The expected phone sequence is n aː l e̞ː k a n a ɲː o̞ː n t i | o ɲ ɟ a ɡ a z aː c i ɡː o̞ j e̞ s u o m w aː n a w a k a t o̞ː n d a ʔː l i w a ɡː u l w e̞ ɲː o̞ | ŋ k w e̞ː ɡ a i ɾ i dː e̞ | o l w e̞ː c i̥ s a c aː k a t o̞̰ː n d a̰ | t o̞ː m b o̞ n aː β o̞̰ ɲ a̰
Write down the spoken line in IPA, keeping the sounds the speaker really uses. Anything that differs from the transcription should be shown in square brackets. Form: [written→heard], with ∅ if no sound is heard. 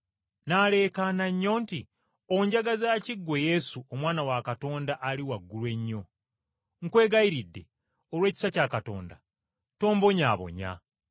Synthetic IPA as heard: n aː l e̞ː k a n a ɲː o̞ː n t i | o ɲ ɟ a ɡ a z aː c i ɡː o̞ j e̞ s u o m w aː n a w a k a t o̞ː n d a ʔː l i w a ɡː u l w e̞ ɲː o̞ | ŋ k w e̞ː ɡ a i ɾ i dː e̞ | o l w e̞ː c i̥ s a c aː k a t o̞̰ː n d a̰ | t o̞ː m b o̞ [n→ɲ] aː β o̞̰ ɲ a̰